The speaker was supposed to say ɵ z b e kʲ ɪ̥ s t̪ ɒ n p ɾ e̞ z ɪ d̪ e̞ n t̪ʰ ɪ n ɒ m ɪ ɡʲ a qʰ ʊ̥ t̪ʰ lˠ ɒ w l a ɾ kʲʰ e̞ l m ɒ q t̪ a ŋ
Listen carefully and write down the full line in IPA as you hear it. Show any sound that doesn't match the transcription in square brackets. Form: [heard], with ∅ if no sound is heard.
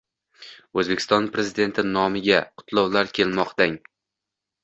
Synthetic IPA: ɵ z b e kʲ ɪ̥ s t̪ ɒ n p ɾ e̞ z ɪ d̪ e̞ n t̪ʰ ɪ n ɒ m ɪ ɡʲ a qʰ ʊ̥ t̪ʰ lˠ ɒ w l a ɾ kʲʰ e̞ l m ɒ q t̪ a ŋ

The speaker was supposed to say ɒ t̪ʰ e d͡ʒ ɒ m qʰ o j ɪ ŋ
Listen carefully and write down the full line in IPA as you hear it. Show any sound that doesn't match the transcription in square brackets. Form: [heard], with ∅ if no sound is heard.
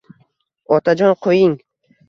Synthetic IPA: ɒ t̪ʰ [a] d͡ʒ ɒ [n] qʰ o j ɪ ŋ

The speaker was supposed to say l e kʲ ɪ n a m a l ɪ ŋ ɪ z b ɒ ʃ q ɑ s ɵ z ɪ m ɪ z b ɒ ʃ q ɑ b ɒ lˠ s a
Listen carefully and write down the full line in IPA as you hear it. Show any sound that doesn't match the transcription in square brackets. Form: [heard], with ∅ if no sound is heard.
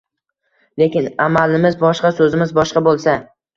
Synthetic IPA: l e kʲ ɪ n a m a l ɪ [m] ɪ z b ɒ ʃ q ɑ s ɵ z ɪ m ɪ z b ɒ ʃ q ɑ b [o] lˠ s a

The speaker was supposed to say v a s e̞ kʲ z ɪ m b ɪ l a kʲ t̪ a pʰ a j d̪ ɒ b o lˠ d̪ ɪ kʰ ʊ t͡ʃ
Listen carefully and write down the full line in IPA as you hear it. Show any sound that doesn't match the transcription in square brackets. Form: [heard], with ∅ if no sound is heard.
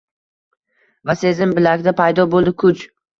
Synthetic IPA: v a s e̞ [∅] z ɪ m b ɪ l a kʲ [d̪] a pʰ a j d̪ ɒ b o lˠ d̪ ɪ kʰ ʊ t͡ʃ

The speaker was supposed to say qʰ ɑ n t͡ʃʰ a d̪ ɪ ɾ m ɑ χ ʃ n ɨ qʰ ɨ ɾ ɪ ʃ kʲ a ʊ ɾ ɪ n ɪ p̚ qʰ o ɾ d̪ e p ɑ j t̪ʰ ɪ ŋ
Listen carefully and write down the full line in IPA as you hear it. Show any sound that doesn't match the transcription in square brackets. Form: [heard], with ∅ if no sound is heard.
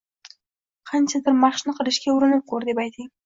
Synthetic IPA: qʰ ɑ n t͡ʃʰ a d̪ ɪ ɾ m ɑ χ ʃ n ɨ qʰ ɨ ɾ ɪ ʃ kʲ a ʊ ɾ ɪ n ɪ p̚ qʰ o ɾ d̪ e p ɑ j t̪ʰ ɪ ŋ

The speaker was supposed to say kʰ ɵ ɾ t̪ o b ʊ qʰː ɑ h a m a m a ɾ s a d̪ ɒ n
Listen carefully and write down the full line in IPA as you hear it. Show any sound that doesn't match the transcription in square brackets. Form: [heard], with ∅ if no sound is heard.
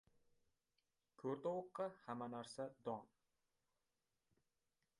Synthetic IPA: kʰ ɵ ɾ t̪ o [w] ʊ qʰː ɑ h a m a [n] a ɾ s a d̪ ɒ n

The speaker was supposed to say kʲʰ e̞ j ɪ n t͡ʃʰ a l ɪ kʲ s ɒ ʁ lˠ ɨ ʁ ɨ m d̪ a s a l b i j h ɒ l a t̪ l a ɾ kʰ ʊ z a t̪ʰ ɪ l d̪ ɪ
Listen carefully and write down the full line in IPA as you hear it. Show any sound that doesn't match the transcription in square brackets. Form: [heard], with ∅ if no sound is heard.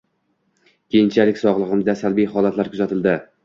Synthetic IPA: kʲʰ e̞ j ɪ n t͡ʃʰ a l ɪ kʲ s ɒ ʁ lˠ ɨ ʁ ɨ m d̪ a s a l b i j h ɒ l a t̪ l a ɾ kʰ ʊ z a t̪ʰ ɪ l d̪ ɪ

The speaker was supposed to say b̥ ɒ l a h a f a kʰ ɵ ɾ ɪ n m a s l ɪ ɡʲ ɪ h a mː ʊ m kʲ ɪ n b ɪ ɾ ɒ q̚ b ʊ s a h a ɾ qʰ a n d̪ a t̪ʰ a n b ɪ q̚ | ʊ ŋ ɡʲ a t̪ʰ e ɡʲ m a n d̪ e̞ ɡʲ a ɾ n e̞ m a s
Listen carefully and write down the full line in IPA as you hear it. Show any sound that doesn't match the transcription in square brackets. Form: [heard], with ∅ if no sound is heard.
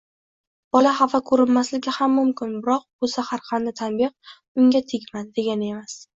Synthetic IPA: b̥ ɒ l a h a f a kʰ ɵ ɾ ɪ n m a s l ɪ ɡʲ ɪ h a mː ʊ m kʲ ɪ n b ɪ ɾ ɒ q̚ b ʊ s a h a ɾ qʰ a n d̪ a t̪ʰ a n b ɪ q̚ | ʊ ŋ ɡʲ a t̪ʰ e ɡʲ m a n d̪ e̞ ɡʲ a [∅] n e̞ m a s

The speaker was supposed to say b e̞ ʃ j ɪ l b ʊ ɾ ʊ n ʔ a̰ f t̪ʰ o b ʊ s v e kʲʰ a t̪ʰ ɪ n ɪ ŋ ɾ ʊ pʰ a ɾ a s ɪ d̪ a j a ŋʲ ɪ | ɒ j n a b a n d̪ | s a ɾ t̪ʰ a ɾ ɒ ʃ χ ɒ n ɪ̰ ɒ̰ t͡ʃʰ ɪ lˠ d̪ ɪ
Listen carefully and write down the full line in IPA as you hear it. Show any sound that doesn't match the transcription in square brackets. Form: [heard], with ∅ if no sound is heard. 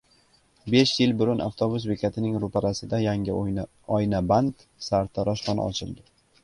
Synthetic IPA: b e̞ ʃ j ɪ l b ʊ ɾ ʊ n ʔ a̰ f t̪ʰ o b ʊ s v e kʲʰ a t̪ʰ ɪ n ɪ ŋ ɾ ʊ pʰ a ɾ a s ɪ d̪ a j a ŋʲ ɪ | ɒ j n a b a n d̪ | s a ɾ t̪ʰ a ɾ ɒ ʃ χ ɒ n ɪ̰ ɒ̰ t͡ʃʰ ɪ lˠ d̪ ɪ

